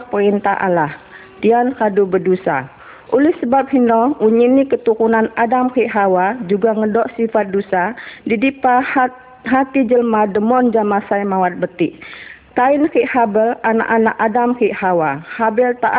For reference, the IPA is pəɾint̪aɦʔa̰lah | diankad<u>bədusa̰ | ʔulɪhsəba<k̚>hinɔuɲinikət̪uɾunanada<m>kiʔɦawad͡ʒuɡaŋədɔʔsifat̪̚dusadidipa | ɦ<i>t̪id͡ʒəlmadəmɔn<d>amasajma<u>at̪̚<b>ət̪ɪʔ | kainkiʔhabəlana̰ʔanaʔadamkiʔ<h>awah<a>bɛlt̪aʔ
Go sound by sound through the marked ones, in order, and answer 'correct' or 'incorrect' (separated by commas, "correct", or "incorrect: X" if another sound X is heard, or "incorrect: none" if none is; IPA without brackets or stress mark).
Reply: correct, incorrect: p̚, correct, incorrect: a, incorrect: d͡ʒ, incorrect: w, correct, correct, correct